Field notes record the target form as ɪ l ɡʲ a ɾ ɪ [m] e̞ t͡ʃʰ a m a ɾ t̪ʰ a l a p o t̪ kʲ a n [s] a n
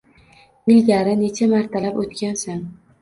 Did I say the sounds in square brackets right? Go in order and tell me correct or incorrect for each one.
incorrect, correct

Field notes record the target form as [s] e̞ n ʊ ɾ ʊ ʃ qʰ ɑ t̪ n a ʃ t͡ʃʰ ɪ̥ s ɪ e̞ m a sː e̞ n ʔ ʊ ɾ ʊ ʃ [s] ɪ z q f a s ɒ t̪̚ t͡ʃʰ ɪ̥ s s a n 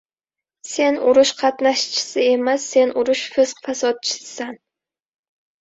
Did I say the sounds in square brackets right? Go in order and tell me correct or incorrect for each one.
correct, incorrect

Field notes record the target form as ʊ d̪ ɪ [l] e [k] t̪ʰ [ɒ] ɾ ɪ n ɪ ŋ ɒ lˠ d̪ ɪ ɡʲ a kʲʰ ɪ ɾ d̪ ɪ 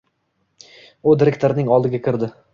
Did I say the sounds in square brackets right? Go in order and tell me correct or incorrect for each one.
incorrect, correct, incorrect

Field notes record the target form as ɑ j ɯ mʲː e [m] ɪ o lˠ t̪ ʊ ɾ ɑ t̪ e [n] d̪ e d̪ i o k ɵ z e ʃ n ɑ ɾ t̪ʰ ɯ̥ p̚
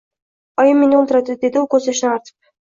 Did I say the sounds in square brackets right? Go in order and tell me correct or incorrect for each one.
incorrect, incorrect

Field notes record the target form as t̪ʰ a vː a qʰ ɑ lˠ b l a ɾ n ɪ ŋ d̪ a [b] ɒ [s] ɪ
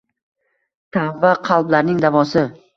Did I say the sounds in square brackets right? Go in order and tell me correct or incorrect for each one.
incorrect, correct

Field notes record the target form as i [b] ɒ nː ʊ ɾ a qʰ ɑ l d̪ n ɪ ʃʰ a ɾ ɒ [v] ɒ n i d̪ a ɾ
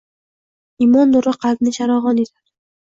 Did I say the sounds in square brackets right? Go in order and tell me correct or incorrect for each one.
incorrect, incorrect

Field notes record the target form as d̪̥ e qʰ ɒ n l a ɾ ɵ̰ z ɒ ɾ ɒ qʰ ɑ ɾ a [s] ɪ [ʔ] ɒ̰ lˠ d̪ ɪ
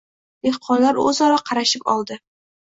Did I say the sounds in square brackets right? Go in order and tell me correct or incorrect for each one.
incorrect, incorrect

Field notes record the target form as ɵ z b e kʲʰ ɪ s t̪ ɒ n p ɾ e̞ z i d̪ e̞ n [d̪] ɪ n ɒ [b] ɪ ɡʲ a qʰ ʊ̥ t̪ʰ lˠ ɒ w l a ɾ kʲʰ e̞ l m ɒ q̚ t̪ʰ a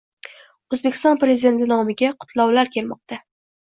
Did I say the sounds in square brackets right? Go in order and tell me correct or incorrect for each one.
incorrect, incorrect

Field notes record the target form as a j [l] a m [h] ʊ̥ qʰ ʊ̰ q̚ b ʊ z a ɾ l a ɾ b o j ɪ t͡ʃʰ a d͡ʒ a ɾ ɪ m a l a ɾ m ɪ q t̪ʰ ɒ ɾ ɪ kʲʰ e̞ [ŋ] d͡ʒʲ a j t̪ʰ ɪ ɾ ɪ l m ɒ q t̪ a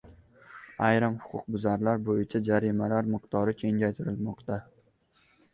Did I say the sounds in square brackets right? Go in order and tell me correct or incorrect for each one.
incorrect, correct, correct

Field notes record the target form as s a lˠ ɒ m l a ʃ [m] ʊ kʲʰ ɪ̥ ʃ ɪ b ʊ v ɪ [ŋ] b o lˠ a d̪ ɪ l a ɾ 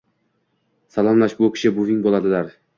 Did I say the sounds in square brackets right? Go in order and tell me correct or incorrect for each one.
incorrect, correct

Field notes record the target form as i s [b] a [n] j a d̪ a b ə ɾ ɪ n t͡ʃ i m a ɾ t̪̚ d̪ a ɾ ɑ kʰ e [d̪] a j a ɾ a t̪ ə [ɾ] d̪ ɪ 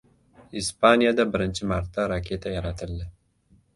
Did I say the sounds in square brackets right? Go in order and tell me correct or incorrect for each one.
incorrect, correct, incorrect, incorrect

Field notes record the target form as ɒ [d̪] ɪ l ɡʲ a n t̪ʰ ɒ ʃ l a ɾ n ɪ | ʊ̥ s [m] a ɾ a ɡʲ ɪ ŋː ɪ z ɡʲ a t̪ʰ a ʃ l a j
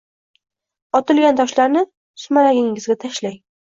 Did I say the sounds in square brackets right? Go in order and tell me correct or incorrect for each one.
incorrect, correct

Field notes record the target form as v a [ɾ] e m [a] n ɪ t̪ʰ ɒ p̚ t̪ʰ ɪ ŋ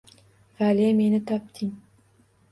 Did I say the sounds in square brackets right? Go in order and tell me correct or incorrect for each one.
incorrect, incorrect

